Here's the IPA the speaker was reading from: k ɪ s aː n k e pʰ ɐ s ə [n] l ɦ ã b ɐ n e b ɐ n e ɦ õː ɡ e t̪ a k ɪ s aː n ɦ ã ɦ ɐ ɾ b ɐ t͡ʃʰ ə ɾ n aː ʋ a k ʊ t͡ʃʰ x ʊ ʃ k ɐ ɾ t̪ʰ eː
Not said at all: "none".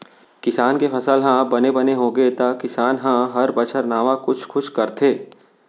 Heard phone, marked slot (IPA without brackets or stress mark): none